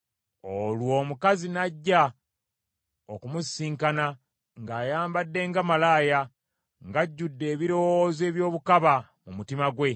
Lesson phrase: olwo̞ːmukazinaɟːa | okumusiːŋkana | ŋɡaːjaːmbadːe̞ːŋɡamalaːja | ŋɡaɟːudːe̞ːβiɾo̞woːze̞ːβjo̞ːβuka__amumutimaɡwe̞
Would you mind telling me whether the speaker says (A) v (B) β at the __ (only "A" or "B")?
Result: B